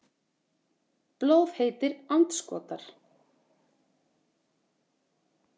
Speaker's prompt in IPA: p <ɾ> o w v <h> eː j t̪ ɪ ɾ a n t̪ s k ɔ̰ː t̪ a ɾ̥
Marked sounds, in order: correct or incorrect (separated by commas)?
incorrect, correct